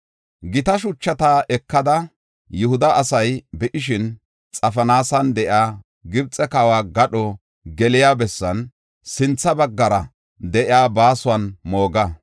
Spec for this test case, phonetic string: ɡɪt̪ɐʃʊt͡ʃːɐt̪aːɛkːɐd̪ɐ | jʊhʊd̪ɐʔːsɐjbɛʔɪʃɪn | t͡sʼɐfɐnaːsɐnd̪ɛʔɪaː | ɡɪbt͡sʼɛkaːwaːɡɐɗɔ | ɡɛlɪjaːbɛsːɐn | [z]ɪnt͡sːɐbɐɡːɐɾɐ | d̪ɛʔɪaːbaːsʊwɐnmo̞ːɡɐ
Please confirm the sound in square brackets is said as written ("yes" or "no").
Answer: no